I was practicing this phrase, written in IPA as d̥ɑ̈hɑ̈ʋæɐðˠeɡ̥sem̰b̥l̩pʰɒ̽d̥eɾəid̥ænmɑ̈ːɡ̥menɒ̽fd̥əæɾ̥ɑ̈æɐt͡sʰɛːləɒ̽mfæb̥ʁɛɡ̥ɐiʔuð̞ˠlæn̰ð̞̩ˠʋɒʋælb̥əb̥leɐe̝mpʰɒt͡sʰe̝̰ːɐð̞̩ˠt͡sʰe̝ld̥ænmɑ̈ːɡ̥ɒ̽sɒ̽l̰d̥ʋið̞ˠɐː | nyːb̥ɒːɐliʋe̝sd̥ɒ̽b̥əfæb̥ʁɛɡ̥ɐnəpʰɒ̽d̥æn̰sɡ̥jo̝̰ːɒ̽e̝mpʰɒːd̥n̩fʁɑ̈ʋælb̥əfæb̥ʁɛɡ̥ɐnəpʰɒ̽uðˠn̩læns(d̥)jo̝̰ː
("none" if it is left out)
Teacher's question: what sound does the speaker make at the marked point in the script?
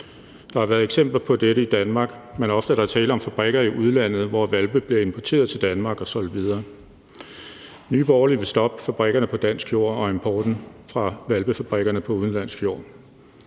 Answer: ɡ̥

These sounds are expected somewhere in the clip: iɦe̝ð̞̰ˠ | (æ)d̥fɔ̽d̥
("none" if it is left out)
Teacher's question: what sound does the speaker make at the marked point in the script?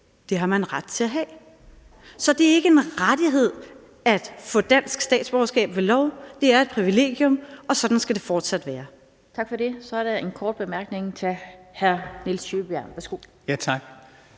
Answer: æ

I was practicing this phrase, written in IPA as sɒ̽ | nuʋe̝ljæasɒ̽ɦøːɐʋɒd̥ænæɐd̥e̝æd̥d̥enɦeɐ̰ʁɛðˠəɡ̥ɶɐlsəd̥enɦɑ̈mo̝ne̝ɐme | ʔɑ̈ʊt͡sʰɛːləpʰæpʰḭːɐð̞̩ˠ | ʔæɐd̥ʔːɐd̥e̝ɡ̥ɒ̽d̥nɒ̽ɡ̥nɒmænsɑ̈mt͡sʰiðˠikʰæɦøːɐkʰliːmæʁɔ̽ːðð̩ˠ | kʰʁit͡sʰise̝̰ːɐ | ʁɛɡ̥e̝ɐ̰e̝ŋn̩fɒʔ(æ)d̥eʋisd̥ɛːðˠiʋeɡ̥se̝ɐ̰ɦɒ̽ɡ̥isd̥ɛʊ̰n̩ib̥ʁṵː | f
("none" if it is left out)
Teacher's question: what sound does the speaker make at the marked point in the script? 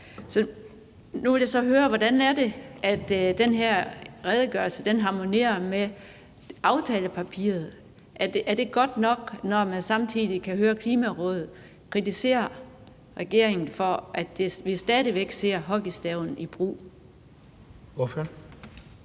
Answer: æ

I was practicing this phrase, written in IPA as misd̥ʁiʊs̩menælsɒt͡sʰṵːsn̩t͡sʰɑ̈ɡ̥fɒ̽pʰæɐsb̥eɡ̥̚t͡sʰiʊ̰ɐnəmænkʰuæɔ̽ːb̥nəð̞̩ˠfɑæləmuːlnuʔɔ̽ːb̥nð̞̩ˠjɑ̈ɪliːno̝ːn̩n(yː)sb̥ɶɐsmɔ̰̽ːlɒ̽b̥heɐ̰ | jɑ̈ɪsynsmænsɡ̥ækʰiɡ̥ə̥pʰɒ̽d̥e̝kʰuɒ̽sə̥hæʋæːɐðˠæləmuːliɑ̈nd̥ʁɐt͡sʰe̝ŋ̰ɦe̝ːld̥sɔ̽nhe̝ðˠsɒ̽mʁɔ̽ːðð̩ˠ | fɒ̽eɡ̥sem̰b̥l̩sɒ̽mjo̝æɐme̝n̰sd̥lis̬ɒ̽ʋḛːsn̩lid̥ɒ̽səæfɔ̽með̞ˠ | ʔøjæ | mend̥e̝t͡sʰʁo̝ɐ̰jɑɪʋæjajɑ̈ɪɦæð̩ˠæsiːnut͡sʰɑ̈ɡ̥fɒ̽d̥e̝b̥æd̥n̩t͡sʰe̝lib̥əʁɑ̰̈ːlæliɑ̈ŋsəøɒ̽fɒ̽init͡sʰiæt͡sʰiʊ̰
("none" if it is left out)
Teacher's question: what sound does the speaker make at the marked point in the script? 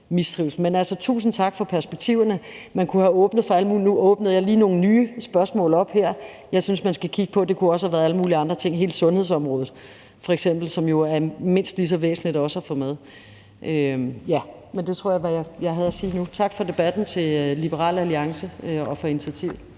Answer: yː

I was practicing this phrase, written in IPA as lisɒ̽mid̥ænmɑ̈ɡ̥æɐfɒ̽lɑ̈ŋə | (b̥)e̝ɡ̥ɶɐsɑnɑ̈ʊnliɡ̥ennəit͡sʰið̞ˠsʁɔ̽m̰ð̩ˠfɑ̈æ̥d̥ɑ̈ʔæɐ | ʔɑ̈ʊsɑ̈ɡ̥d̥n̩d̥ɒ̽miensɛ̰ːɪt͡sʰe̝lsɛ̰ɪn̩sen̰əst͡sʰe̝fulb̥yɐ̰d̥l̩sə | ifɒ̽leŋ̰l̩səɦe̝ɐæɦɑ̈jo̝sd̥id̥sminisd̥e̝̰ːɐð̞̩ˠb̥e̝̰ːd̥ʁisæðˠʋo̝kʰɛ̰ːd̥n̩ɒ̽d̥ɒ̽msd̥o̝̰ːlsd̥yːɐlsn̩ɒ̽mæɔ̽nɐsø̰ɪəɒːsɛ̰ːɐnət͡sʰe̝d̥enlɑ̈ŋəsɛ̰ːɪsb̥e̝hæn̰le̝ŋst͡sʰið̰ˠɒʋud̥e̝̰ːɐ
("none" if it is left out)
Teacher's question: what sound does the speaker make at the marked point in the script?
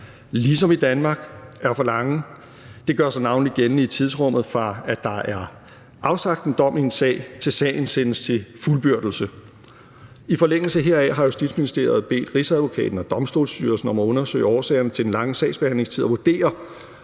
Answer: d̥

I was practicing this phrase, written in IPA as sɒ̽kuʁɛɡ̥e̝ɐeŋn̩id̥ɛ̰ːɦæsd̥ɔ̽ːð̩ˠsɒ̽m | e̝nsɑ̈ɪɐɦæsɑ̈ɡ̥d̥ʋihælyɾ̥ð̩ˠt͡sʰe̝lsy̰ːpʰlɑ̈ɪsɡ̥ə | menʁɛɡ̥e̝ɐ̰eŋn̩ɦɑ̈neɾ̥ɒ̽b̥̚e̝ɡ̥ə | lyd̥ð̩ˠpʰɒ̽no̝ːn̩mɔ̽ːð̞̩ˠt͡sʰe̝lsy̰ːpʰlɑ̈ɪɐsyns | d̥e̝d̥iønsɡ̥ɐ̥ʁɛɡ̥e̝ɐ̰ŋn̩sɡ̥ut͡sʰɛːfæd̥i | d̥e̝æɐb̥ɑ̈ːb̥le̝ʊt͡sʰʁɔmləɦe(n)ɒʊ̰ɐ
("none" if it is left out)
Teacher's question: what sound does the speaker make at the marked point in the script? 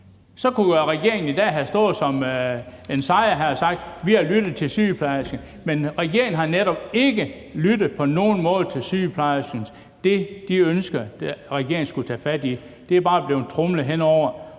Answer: n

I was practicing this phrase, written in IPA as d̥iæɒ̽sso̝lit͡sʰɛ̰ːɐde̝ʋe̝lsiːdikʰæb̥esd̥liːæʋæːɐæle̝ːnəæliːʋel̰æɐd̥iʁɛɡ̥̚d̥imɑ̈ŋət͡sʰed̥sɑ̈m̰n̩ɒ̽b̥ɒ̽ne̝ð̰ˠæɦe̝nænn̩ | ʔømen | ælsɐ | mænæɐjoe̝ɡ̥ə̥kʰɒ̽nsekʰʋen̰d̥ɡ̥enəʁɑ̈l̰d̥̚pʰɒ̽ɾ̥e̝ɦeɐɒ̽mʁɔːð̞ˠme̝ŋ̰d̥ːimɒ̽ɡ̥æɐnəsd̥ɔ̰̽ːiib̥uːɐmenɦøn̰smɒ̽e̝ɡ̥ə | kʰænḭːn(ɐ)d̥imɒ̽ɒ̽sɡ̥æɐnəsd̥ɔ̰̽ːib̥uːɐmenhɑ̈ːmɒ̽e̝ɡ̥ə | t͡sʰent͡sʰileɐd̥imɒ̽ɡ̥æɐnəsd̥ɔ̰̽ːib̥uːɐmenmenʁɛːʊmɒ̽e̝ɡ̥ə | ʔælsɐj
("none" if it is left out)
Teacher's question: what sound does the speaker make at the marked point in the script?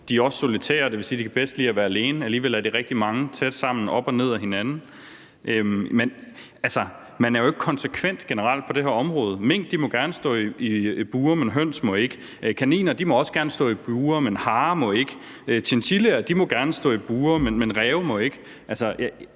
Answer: ɐ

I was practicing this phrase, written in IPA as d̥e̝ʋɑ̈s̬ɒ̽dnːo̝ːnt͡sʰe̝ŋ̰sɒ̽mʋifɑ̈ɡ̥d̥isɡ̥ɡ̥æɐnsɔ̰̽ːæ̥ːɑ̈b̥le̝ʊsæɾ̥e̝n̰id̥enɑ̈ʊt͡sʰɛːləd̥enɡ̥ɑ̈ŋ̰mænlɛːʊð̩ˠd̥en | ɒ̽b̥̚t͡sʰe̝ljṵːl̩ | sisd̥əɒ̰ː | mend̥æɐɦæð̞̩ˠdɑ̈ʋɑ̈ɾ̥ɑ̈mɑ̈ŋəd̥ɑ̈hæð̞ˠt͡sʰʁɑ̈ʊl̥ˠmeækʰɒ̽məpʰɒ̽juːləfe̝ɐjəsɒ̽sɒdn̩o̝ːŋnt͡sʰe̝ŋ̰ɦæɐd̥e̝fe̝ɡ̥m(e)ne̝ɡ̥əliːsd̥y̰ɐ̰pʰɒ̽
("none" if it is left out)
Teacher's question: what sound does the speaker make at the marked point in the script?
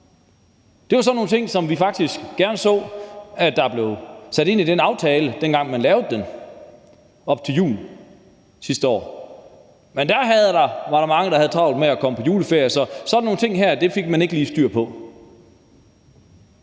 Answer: æ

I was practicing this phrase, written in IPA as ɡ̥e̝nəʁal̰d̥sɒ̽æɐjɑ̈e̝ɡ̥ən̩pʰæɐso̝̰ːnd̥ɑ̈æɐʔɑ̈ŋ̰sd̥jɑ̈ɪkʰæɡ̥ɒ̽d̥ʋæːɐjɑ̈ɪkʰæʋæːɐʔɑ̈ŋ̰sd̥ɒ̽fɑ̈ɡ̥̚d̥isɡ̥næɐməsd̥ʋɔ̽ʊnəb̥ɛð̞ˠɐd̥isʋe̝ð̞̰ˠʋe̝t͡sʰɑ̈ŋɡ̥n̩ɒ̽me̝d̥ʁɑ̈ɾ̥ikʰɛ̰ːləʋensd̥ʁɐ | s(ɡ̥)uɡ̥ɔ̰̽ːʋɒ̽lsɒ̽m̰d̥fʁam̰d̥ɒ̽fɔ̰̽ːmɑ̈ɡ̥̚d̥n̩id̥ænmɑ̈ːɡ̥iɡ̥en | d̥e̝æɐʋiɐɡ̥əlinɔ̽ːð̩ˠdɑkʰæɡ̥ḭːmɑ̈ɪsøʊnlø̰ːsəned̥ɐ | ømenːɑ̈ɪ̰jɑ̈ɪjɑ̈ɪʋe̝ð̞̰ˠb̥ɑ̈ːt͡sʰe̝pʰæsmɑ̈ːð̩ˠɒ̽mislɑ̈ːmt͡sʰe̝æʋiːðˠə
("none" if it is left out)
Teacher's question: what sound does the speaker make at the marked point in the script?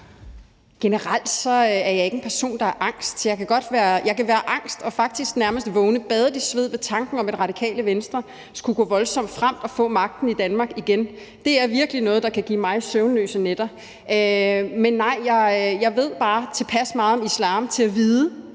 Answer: ɡ̥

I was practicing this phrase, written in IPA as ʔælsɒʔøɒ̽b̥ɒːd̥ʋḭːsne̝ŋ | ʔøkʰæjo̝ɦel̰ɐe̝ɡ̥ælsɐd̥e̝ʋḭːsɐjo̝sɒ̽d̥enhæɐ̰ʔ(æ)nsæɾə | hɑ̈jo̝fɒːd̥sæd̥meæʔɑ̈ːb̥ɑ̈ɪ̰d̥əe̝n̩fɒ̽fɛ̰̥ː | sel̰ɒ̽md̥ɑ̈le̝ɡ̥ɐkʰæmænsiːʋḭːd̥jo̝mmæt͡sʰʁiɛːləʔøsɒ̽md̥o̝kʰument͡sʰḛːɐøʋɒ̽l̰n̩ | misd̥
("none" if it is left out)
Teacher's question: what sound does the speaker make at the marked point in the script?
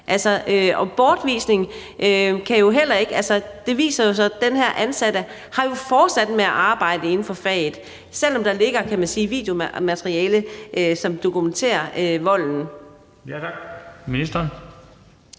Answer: æ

